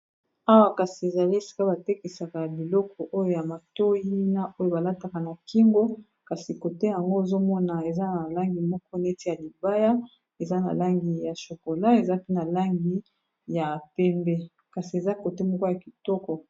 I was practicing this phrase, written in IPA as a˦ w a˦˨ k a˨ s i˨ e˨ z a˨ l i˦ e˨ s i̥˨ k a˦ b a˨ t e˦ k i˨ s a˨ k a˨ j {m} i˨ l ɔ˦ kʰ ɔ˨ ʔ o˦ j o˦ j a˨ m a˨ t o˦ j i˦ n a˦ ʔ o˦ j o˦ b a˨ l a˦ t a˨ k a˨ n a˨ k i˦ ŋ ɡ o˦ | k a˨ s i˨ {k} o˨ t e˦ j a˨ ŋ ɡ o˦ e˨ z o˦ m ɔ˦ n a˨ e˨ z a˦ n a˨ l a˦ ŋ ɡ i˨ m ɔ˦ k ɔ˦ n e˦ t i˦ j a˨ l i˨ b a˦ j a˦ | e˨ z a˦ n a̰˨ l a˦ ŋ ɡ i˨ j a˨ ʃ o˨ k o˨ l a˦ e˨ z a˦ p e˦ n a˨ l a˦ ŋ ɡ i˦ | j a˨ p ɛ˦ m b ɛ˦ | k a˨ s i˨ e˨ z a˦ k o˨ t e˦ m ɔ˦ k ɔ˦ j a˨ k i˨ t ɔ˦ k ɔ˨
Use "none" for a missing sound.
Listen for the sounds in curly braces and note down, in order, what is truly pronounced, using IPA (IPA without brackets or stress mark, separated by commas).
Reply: b, k